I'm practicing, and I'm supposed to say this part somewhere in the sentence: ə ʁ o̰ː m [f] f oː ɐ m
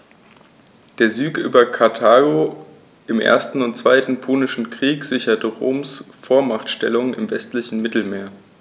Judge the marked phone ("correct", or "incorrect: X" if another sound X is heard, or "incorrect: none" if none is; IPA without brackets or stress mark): incorrect: s